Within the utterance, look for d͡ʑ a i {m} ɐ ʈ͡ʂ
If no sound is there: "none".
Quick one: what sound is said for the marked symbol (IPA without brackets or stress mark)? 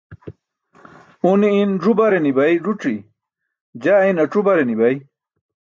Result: n